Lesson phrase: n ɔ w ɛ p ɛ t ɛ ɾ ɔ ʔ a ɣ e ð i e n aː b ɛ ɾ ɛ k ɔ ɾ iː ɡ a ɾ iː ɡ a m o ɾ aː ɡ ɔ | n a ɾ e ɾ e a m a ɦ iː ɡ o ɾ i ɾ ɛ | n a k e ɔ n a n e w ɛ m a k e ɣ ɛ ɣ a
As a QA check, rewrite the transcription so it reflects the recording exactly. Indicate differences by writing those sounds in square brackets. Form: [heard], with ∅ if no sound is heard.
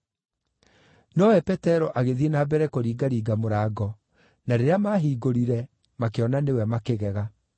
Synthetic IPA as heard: n ɔ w ɛ p ɛ t ɛ ɾ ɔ ʔ a ɣ e ð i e n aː b ɛ ɾ ɛ k [o] ɾ iː ɡ a ɾ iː ɡ a m o ɾ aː ɡ ɔ | n a ɾ e ɾ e a m a ɦ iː ɡ o ɾ i ɾ ɛ | [m] a k e ɔ n a n e w ɛ m a k e ɣ ɛ ɣ a